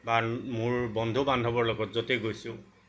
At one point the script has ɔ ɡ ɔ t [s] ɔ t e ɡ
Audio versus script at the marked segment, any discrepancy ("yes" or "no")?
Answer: yes